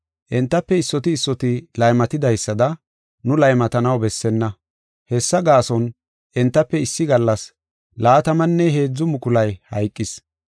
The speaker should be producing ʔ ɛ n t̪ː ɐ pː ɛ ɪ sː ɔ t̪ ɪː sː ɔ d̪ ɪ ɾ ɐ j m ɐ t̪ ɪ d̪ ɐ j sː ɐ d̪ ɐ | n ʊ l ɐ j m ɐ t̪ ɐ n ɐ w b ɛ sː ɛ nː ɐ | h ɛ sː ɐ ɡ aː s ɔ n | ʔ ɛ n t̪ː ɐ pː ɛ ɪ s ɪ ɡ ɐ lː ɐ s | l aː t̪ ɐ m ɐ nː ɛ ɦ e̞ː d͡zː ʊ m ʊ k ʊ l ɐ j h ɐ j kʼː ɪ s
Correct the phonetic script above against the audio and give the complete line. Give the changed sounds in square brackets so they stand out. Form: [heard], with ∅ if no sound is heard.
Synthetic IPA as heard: ʔ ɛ n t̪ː ɐ pː ɛ ɪ sː ɔ t̪ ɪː sː ɔ [t̪] ɪ [l] ɐ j m ɐ t̪ ɪ d̪ ɐ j sː ɐ d̪ ɐ | n ʊ l ɐ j m ɐ t̪ ɐ n ɐ w b ɛ sː ɛ nː ɐ | h ɛ sː ɐ ɡ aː s ɔ n | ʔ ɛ n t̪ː ɐ pː ɛ ɪ [sː] ɪ ɡ ɐ lː ɐ s | l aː t̪ ɐ m ɐ nː ɛ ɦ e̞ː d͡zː ʊ m ʊ k ʊ l ɐ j h ɐ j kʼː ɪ s

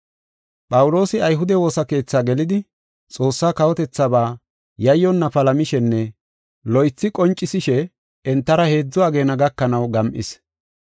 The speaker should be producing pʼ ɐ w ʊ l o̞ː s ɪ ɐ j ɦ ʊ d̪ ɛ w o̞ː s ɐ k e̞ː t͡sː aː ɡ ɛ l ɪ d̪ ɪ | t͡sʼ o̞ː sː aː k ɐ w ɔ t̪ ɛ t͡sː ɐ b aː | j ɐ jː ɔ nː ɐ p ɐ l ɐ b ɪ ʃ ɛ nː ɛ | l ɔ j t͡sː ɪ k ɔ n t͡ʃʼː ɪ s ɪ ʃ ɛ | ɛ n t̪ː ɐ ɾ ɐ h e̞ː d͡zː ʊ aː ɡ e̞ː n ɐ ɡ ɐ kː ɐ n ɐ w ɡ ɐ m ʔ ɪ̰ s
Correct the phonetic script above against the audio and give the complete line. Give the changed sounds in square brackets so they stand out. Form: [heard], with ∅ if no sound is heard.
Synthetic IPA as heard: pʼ ɐ w ʊ l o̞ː s ɪ ɐ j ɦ ʊ d̪ ɛ w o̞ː s ɐ k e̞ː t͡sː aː ɡ ɛ l ɪ d̪ ɪ | t͡sʼ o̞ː sː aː k ɐ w ɔ t̪ ɛ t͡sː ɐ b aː | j ɐ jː ɔ nː ɐ p ɐ l ɐ [m] ɪ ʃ ɛ nː ɛ | l ɔ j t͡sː ɪ [kʼ] ɔ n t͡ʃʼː ɪ s ɪ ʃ ɛ | ɛ n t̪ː ɐ ɾ ɐ h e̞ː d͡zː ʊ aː ɡ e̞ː n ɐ ɡ ɐ kː ɐ n ɐ w ɡ ɐ m ʔ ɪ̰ s

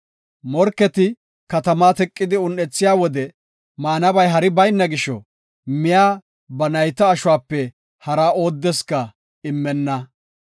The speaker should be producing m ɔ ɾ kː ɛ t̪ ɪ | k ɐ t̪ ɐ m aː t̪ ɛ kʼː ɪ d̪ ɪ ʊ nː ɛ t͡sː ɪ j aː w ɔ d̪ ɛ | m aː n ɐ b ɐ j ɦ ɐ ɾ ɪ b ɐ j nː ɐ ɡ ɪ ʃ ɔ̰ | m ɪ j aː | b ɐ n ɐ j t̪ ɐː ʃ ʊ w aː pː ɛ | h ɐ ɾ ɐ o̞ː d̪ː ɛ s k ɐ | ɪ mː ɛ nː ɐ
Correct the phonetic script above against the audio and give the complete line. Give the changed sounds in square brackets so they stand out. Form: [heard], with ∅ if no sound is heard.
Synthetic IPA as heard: m ɔ ɾ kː ɛ t̪ ɪ | k ɐ t̪ ɐ m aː t̪ ɛ kʼː ɪ d̪ ɪ ʊ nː ɛ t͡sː ɪ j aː w ɔ d̪ ɛ | m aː n ɐ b ɐ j ɦ ɐ ɾ ɪ b ɐ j nː ɐ ɡ ɪ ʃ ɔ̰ | m ɪ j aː | b ɐ n ɐ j t̪ ɐː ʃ ʊ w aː pː ɛ | h ɐ ɾ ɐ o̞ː d̪ː ɛ s k ɐ | ɪ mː ɛ nː ɐ

